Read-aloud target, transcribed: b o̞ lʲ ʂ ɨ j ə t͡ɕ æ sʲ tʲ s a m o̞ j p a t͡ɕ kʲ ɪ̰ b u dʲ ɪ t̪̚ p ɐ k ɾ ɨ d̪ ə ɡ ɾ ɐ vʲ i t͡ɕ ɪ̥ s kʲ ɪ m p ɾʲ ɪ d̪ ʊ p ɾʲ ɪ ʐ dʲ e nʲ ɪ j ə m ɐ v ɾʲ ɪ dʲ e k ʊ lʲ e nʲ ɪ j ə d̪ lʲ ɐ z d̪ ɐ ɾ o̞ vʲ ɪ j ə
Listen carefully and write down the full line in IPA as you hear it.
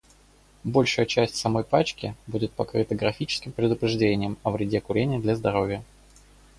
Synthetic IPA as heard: b o̞ lʲ ʂ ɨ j ə t͡ɕ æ sʲ tʲ s ɐ m o̞ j p a t͡ɕ kʲ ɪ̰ b u dʲ ɪ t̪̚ p ɐ k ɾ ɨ t̪ ə ɡ ɾ ɐ fʲ i t͡ɕ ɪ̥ s kʲ ɪ m p ɾʲ ɪ d̪ ʊ p ɾʲ ɪ ʐ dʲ e nʲ ɪ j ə m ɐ v ɾʲ ɪ dʲ e k ʊ ɾʲ e nʲ ɪ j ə d̪ lʲ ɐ z d̪ ɐ ɾ o̞ vʲ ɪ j ə

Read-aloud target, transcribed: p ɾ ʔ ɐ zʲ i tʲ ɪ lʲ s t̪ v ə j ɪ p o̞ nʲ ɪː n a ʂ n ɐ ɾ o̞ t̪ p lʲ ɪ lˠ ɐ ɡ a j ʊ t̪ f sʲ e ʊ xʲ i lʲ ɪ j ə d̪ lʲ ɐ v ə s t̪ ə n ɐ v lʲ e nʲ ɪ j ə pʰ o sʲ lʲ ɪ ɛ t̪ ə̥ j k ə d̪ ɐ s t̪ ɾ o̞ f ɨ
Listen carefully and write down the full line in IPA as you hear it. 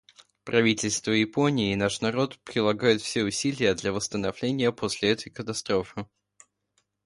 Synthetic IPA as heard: p ɾ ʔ ɐ vʲ i tʲ ɪ lʲ s t̪ v ə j ɪ p o̞ nʲ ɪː n a ʂ n ɐ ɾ o̞ t̪ p ɾʲ ɪ lˠ ɐ ɡ a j ʊ t̪ f sʲ e ʊ sʲ i lʲ ɪ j ə d̪ lʲ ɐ v ə s t̪ ə n ɐ v lʲ e nʲ ɪ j ə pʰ o sʲ lʲ ɪ ɛ t̪ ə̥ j k ə t̪ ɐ s t̪ ɾ o̞ f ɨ

